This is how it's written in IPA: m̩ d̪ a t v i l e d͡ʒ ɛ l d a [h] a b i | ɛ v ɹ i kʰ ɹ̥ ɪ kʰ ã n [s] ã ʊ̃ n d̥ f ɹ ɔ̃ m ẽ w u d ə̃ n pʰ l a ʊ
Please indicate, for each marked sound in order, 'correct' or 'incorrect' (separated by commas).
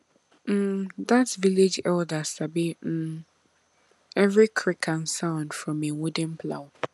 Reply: incorrect, correct